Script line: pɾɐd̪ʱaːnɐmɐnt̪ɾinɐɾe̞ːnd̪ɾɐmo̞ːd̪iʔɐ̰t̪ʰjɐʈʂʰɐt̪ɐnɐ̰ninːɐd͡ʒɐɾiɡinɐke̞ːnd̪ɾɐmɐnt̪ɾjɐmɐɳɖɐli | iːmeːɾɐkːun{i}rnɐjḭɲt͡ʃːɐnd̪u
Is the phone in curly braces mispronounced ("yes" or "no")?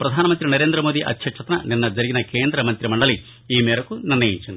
no